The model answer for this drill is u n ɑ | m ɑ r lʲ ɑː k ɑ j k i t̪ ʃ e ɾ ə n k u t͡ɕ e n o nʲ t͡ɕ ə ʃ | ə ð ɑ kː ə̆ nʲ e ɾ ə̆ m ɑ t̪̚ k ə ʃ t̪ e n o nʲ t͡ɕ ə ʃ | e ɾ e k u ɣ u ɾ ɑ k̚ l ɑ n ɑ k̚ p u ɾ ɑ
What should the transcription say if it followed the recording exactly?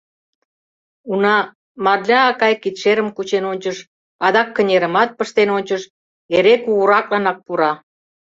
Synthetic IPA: u n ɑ | m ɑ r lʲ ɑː k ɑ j k i t̪ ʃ e ɾ ə m k u t͡ɕ e n o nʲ t͡ɕ ə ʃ | ɑ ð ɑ kː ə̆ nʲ e ɾ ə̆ m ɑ t̪̚ p ə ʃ t̪ e n o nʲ t͡ɕ ə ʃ | e ɾ e k u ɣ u ɾ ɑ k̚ l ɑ n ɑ k̚ p u ɾ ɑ